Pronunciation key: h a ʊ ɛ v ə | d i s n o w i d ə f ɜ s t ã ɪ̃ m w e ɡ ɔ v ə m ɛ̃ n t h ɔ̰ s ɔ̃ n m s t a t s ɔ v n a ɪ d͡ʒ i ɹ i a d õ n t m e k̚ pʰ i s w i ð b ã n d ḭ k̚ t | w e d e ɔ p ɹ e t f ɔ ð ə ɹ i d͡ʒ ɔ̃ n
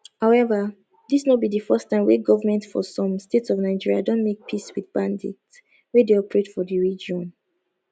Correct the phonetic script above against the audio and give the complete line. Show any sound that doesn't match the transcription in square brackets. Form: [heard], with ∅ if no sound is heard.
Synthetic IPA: h a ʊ ɛ v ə | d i s n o [b] i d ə f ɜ s t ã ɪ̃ m w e ɡ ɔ v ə m ɛ̃ n t [f] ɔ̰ s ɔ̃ [∅] m s t [e] t s ɔ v n a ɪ d͡ʒ i ɹ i a d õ n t m e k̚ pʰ i s w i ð b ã n d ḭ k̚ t | w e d e ɔ p ɹ e t f ɔ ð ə ɹ i d͡ʒ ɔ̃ n